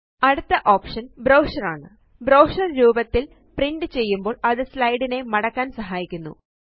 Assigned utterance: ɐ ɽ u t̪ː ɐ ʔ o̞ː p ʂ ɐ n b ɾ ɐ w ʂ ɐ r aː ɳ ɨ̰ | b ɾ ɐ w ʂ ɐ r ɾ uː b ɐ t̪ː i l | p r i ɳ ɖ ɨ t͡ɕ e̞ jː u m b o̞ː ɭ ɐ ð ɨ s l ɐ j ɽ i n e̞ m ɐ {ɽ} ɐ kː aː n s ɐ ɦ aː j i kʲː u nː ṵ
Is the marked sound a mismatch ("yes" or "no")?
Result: no